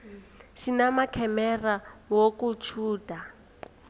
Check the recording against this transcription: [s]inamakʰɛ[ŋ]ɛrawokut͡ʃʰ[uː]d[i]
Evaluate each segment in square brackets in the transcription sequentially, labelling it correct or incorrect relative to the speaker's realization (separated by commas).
incorrect, incorrect, correct, incorrect